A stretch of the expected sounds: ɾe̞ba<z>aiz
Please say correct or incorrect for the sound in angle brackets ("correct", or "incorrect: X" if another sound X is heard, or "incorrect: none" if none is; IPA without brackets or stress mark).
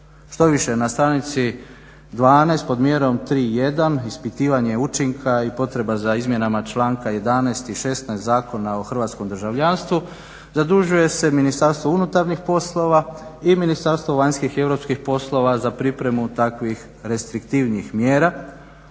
correct